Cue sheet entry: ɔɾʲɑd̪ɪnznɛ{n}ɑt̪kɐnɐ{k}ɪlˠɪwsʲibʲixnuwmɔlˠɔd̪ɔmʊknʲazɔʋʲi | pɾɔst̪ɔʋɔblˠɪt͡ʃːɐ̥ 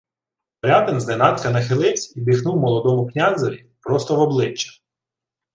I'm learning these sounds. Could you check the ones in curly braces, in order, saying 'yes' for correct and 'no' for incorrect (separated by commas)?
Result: yes, no